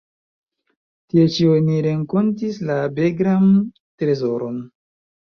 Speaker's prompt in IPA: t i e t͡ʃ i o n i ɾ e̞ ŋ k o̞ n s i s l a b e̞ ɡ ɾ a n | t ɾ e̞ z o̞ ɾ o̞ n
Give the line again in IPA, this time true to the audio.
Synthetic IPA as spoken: t i e t͡ʃ i o n i ɾ e̞ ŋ k o̞ n t i s l a b e̞ ɡ ɾ a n | t ɾ e̞ z o̞ ɾ o̞ n